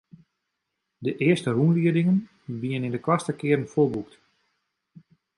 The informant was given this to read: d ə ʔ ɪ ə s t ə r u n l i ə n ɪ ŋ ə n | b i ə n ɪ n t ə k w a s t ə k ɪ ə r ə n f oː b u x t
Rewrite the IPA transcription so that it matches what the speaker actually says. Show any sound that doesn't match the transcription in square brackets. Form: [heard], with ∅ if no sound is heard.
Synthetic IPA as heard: d ə ʔ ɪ ə s t ə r u n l i ə [d] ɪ ŋ ə n | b i ə n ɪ n [d] ə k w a s t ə k ɪ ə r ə n f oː b u [k] t